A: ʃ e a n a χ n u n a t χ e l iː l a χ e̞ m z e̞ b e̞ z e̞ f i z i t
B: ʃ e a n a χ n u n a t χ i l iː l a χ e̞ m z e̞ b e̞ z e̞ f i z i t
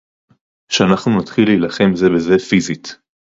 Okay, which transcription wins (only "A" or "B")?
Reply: B